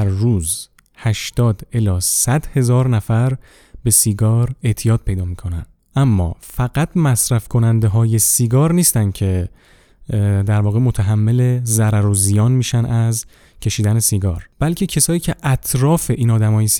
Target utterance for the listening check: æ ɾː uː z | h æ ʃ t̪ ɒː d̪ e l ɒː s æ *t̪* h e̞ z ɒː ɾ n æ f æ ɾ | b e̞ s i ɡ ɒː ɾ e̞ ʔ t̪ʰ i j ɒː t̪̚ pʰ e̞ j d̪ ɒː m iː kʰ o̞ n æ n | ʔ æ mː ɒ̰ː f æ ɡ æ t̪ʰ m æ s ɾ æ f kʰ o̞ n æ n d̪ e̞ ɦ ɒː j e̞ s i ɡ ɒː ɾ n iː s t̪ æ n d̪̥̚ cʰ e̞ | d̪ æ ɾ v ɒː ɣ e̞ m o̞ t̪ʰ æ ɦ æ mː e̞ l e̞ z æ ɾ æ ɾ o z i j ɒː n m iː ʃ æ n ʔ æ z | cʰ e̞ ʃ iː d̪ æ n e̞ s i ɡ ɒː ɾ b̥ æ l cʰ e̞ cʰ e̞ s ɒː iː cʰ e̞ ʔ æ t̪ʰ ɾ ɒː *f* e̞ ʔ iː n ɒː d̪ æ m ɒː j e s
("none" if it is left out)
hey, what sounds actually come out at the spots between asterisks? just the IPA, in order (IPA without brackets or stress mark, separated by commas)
d̪, f